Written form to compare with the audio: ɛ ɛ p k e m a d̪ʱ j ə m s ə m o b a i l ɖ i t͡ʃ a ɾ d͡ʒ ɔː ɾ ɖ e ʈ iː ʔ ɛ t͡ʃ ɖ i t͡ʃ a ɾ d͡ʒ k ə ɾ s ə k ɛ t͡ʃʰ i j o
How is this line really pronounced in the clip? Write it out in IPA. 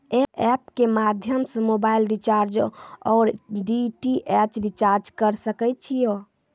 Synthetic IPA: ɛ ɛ p k e m a d̪ʱ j ə m s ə m o b a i l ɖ i t͡ʃ a ɾ d͡ʒ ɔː ɾ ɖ i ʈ i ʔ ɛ t͡ʃ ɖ i t͡ʃ a ɾ d͡ʒ k ə ɾ s ə k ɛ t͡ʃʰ i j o